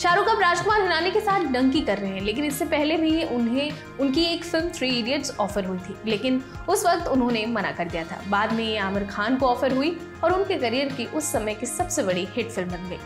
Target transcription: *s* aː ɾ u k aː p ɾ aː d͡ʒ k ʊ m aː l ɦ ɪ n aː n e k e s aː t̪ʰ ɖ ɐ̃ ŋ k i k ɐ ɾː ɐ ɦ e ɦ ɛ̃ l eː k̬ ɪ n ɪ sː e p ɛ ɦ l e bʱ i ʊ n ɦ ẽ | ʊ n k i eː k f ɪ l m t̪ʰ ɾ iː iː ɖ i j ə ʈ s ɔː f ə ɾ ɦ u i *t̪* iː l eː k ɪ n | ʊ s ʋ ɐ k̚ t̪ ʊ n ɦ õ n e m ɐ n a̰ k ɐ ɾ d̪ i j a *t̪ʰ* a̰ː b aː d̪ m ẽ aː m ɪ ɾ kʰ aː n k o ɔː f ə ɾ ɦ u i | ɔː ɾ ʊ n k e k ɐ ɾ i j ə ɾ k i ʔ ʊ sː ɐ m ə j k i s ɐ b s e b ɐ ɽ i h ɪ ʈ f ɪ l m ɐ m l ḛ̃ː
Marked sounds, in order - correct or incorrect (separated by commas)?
incorrect, incorrect, correct